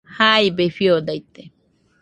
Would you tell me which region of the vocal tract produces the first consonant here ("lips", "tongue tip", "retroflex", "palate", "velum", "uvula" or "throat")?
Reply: throat